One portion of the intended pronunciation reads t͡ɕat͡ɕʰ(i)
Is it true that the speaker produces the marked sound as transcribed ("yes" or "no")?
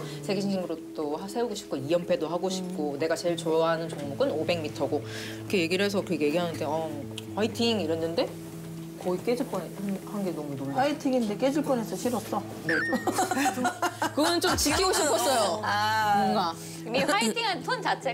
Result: no